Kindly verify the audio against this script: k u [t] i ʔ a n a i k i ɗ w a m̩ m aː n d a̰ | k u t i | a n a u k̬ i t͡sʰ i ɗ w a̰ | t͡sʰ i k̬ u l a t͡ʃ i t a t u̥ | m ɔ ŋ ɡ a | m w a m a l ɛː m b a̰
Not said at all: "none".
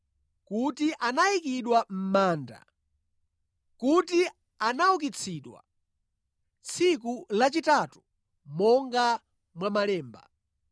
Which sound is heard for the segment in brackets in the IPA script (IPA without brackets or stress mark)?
t